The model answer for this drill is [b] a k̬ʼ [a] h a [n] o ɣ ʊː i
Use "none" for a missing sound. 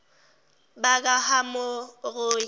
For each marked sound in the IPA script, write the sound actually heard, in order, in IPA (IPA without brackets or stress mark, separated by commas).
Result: b, a, m